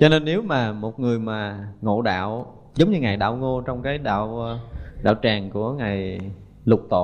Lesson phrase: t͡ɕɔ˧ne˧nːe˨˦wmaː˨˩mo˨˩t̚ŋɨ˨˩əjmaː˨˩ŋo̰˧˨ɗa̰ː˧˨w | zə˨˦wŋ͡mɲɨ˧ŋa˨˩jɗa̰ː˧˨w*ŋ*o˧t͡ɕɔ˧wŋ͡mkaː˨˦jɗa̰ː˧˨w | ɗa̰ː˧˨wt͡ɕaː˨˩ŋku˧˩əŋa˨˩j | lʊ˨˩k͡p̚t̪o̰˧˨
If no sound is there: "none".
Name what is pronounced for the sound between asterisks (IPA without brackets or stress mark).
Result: ŋ